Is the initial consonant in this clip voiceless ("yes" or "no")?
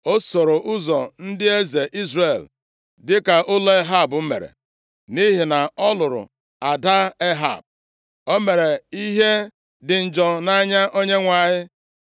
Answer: yes